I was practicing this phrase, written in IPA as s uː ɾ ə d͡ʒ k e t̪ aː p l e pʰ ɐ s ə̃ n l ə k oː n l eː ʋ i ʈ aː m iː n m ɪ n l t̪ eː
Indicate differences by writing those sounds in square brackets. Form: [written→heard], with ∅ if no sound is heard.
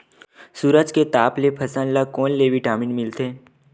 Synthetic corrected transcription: s uː ɾ ə d͡ʒ k e t̪ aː p l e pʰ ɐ s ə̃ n l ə k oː n l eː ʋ i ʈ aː m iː n m ɪ [n→∅] l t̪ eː